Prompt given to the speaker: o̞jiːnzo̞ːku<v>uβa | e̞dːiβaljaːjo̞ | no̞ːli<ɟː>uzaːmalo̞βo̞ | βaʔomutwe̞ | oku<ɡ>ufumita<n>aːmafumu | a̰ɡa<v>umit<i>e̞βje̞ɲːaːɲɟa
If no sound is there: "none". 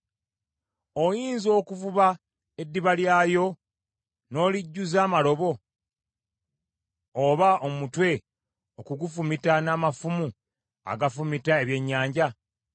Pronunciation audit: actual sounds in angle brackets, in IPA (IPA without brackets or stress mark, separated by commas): v, ɟː, ɡ, n, f, a